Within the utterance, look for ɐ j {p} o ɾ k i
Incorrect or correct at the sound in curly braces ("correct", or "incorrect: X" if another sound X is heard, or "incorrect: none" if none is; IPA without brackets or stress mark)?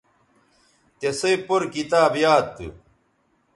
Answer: correct